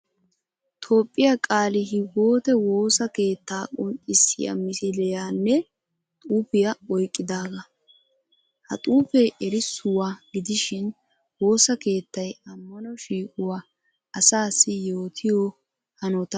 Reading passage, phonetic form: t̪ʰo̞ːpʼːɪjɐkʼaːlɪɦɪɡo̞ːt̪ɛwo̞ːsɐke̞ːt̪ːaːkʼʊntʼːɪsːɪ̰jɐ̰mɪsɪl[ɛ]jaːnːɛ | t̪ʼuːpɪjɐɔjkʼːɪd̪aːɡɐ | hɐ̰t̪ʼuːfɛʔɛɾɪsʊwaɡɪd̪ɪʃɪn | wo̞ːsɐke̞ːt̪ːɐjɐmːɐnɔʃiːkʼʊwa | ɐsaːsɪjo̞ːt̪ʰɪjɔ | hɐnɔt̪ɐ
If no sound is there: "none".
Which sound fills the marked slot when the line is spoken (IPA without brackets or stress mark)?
ɛ